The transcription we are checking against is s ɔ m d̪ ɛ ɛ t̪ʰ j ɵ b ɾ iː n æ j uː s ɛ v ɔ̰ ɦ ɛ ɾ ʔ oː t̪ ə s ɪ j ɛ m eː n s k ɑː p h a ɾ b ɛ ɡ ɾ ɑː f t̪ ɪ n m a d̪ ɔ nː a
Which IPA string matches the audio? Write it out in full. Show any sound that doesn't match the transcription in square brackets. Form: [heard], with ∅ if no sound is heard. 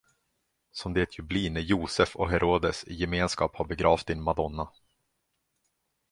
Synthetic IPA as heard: s ɔ m d̪ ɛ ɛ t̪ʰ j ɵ b [l] iː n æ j uː s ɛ [f] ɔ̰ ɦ ɛ ɾ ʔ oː [d̪] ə s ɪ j ɛ m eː n s k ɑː p h a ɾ b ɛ ɡ ɾ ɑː f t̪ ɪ n m a d̪ ɔ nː a